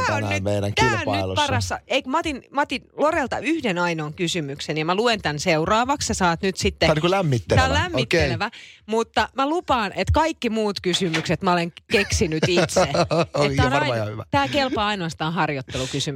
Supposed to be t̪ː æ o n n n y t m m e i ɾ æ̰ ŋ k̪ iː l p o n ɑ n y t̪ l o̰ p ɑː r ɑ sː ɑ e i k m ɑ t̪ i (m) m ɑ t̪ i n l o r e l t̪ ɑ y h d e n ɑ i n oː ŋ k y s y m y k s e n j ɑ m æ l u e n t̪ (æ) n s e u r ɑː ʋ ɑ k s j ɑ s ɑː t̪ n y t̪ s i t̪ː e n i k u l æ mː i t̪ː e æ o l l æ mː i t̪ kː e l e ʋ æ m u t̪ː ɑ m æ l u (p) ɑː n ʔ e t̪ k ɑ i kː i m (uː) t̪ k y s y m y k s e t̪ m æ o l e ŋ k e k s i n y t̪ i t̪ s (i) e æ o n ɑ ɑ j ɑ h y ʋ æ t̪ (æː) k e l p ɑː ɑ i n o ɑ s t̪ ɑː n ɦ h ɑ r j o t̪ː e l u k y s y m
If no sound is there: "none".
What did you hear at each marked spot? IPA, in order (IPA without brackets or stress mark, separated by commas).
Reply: n, æ, p, uː, e, æː